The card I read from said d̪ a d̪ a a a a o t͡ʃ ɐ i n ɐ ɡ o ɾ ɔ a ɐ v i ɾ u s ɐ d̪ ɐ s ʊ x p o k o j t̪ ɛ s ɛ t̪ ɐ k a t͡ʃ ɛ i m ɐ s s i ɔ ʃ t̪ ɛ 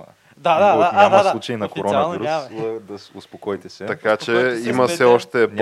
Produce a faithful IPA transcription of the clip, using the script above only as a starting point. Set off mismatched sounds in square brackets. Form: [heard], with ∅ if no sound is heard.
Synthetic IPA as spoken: d̪ a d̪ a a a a [u] t͡ʃ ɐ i n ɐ [k] o ɾ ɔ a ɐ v i ɾ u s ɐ d̪ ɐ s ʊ [s] p o k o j t̪ ɛ s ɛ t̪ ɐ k a t͡ʃ ɛ i m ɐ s s [ɛ] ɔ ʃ t̪ ɛ